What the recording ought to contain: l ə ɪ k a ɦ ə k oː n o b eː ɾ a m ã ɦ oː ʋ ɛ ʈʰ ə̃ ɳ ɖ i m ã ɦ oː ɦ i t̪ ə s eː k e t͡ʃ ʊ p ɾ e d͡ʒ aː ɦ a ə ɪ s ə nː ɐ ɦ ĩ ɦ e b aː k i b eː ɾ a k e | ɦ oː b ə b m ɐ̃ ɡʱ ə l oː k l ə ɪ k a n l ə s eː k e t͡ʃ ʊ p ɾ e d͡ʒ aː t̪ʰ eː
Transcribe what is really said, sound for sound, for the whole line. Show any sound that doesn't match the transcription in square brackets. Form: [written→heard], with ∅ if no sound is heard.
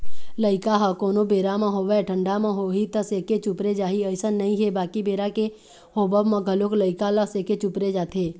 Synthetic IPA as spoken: l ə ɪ k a ɦ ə k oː n o b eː ɾ a m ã ɦ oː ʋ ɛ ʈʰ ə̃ ɳ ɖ [i→a] m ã ɦ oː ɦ i t̪ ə s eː k e t͡ʃ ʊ p ɾ e d͡ʒ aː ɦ [a→i] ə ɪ s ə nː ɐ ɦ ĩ ɦ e b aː k i b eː ɾ a k e | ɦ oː b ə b m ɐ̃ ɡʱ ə l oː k l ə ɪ k a [n→∅] l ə s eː k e t͡ʃ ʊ p ɾ e d͡ʒ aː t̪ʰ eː